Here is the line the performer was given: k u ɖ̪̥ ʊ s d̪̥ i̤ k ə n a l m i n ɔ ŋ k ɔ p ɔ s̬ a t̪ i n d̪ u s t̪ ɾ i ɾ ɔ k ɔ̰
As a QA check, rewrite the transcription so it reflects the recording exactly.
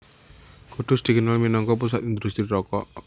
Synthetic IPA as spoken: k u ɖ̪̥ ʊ s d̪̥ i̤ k ə n a l m i n ɔ ŋ k ɔ p u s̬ a t̪ i n d̪ u s t̪ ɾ i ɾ ɔ k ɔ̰